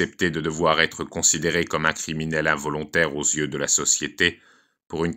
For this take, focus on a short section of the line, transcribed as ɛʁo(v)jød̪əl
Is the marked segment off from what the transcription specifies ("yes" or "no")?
yes